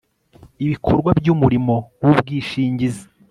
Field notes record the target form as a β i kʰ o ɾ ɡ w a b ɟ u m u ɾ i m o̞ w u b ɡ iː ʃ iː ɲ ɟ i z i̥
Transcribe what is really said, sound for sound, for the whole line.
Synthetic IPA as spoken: i β i kʰ o ɾ ɡ w a b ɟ u m u ɾ i m o̞ w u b ɡ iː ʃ iː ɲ ɟ i z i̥